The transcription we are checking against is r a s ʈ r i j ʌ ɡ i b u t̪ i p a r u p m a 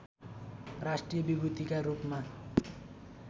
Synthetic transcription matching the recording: r a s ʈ r i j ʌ b i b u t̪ i k a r u p m a